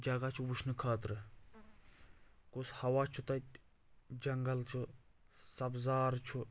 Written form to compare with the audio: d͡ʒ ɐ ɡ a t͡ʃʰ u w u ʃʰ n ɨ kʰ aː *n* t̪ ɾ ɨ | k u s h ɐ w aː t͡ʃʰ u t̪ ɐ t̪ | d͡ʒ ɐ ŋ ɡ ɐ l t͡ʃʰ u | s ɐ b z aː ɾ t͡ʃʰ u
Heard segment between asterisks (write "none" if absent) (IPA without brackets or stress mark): none